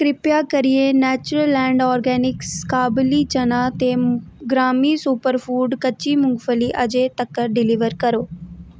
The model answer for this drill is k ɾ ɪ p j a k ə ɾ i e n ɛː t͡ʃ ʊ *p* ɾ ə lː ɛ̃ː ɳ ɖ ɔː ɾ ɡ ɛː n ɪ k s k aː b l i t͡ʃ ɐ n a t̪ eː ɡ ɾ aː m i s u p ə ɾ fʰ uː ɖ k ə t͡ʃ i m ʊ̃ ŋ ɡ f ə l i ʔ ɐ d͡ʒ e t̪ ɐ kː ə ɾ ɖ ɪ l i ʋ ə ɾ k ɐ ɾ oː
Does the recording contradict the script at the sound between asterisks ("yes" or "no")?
yes